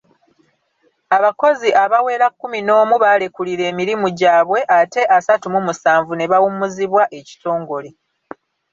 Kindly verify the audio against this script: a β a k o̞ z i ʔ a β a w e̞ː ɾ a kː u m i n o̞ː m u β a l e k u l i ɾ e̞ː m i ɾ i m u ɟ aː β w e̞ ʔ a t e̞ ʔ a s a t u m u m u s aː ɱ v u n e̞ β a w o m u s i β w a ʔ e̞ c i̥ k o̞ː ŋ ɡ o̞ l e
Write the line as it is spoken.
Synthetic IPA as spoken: a β a k o̞ z i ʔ a β a w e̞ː ɾ a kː u m i n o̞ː m u β a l e k u l i ɾ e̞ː m i ɾ i m u ɟ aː β w e̞ ʔ a t e̞ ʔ a s a t u m u m u s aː ɱ v u n e̞ β a w u m u z i β w a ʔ e̞ c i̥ t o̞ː ŋ ɡ o̞ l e